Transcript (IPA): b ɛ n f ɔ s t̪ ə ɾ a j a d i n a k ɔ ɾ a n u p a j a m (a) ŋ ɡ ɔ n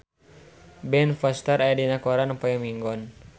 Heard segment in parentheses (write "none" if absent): i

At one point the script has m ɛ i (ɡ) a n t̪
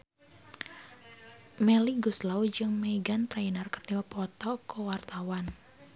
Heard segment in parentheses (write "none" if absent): ɡ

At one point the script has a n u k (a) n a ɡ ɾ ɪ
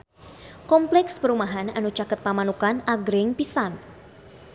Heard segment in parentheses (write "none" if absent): a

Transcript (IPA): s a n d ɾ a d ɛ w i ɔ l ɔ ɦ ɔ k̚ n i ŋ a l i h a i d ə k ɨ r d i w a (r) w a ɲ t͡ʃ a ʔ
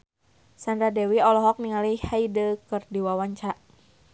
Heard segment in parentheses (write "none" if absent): none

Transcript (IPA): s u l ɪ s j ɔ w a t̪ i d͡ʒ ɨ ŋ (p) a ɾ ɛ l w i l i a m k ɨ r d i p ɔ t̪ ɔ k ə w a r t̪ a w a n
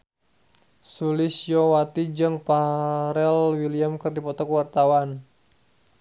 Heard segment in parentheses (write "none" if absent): p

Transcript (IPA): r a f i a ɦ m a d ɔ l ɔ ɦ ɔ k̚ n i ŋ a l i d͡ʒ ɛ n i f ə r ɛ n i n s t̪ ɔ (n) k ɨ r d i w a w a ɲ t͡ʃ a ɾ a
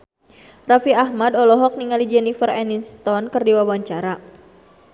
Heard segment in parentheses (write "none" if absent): n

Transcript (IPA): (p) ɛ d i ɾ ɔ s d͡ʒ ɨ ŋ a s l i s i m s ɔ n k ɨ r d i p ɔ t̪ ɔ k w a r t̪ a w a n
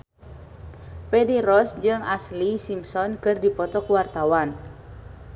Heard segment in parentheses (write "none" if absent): p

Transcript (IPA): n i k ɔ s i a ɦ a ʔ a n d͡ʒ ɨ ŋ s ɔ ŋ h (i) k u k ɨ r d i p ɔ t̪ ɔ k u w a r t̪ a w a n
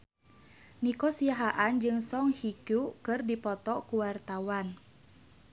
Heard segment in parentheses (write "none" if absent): i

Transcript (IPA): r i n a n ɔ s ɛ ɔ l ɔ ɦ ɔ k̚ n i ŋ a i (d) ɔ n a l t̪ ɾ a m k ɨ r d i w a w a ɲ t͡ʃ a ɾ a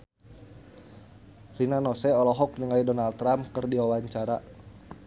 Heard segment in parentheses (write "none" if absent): d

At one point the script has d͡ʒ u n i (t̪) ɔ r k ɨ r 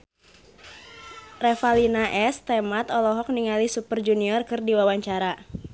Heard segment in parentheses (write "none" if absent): none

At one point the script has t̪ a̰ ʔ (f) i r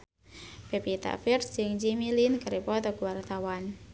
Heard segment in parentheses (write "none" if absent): f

